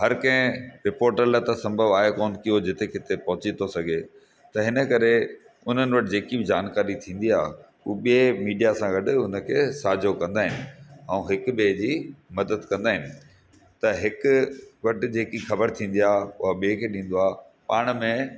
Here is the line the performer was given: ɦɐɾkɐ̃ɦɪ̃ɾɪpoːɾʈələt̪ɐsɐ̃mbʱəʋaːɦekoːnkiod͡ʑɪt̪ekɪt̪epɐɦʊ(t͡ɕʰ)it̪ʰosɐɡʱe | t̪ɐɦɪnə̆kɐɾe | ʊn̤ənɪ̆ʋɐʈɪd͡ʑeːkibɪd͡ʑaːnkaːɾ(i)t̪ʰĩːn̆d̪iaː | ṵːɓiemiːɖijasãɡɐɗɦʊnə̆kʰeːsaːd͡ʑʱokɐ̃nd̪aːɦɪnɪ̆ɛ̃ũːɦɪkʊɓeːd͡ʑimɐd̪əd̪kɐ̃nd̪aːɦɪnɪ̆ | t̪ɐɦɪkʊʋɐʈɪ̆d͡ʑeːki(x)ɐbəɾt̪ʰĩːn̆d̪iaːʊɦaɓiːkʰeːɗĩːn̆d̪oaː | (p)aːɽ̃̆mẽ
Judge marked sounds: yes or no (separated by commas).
no, yes, yes, yes